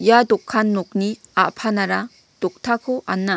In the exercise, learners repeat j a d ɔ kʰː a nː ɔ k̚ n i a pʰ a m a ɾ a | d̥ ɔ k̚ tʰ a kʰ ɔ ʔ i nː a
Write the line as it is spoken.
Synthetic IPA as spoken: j a d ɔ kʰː a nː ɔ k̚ n i a pʰ a n a ɾ a | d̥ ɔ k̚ tʰ a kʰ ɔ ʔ a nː a